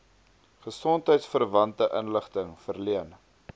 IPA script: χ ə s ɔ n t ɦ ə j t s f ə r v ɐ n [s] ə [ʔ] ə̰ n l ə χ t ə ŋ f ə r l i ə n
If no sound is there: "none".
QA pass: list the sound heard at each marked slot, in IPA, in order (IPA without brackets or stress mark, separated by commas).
t, ʔ